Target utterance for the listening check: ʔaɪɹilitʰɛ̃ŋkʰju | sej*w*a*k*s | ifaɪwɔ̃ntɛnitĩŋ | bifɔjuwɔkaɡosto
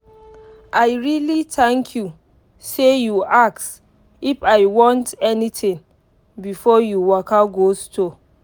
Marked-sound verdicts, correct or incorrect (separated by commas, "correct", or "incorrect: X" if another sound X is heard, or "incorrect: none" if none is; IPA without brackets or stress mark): incorrect: u, correct